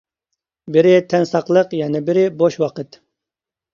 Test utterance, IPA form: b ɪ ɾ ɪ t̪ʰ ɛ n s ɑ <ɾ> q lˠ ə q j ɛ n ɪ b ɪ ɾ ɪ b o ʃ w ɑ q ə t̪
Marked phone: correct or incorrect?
incorrect